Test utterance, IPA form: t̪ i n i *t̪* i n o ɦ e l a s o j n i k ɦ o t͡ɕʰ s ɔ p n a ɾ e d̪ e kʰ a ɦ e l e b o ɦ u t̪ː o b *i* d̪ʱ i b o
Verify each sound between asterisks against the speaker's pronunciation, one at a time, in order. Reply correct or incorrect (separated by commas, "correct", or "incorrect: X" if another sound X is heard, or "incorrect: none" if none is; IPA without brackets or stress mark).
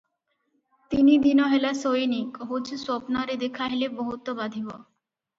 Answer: incorrect: d̪, incorrect: a